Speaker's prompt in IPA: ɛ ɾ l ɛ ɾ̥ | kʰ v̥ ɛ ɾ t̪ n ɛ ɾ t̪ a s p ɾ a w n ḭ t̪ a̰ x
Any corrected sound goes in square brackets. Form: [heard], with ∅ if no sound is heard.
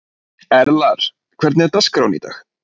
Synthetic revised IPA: ɛ ɾ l [a] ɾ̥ | kʰ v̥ ɛ ɾ t̪ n ɛ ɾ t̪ a s [k] ɾ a w n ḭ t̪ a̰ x